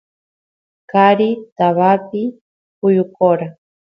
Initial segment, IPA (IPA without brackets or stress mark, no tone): k